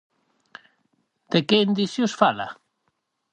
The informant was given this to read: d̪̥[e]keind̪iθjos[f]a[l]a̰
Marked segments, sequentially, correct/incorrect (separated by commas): correct, correct, correct